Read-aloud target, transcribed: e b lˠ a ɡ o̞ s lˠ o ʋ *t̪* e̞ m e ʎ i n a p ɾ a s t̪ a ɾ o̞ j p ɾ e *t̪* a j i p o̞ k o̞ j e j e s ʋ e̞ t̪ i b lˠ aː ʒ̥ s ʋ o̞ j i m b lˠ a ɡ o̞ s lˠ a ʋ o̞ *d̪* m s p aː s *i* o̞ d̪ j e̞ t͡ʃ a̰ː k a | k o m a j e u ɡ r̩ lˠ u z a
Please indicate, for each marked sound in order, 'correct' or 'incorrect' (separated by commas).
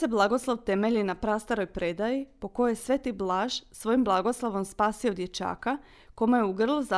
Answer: correct, incorrect, incorrect, correct